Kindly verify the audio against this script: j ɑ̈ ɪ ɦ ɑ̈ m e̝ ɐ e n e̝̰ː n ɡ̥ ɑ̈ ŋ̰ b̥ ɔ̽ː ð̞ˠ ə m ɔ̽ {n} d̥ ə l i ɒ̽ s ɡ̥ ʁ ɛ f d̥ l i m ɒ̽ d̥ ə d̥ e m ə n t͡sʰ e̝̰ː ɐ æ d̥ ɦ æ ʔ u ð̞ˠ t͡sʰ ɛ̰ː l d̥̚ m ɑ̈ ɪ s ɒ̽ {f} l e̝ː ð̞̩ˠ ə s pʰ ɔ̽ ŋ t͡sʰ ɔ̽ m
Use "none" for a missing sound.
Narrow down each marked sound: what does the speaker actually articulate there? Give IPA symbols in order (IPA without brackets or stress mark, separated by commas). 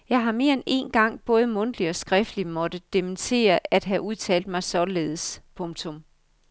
n, none